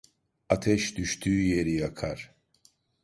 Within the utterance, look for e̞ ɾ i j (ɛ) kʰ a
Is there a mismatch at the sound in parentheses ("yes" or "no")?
yes